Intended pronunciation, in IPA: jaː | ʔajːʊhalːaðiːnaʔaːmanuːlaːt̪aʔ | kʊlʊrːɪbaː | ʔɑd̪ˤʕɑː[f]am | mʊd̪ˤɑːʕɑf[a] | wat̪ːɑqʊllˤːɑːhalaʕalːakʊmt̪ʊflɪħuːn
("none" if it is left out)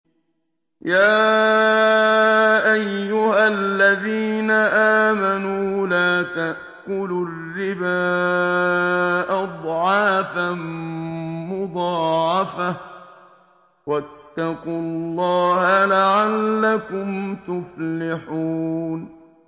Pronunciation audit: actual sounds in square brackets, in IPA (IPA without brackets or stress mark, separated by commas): f, a